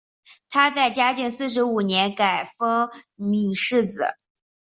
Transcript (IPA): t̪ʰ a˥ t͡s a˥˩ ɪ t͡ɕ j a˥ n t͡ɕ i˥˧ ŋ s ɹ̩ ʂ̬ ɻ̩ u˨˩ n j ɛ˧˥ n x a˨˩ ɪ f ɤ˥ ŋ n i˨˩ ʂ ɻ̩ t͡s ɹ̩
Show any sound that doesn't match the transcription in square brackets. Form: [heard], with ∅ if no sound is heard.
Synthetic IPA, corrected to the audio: t̪ʰ a˥ t͡s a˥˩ ɪ t͡ɕ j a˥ [∅] t͡ɕ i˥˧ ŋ s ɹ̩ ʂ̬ ɻ̩ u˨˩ n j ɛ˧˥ n [k] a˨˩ ɪ f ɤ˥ ŋ [m] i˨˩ ʂ ɻ̩ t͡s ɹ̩